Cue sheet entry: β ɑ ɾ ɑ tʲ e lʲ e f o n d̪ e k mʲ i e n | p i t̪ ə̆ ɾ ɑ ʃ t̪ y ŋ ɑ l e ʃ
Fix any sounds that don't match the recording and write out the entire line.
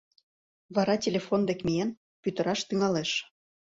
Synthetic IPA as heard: β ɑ ɾ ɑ tʲ e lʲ e f o n d̪ e k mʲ i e n | p y t̪ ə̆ ɾ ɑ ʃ t̪ y ŋ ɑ l e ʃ